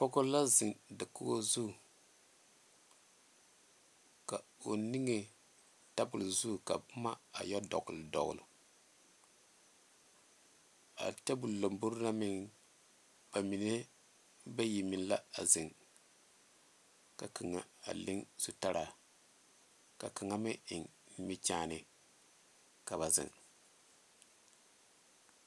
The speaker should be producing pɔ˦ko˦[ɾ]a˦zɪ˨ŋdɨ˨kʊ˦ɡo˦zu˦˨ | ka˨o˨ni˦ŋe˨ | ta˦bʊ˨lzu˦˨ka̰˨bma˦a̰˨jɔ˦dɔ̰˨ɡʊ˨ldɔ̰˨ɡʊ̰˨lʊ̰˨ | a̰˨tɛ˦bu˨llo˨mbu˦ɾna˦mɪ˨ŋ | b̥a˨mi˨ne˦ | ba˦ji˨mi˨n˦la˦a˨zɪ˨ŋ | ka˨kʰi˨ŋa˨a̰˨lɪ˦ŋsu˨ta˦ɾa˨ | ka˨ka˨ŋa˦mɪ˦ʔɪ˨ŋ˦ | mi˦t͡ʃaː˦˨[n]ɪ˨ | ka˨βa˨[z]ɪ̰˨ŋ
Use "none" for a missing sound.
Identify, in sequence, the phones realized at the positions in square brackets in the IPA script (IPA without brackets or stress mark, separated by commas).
l, n, z